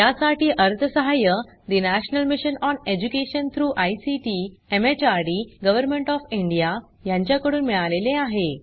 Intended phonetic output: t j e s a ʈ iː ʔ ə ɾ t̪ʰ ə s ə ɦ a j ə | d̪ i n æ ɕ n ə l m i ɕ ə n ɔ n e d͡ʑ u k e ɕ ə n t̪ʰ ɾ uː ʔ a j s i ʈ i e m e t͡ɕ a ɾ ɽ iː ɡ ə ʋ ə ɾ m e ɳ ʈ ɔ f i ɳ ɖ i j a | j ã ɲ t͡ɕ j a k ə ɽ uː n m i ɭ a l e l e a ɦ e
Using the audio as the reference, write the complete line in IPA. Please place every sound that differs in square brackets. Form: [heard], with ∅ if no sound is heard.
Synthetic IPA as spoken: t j [a] s a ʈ iː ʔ ə ɾ t̪ʰ ə s ə ɦ a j ə | d̪ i n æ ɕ n ə l m i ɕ ə n ɔ n e d͡ʑ u k e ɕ ə n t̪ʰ ɾ uː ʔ a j s i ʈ i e m e t͡ɕ a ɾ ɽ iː ɡ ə ʋ ə ɾ m e ɳ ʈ ɔ f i ɳ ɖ i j a | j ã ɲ t͡ɕ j a k ə ɽ uː n m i ɭ a l e l e a ɦ e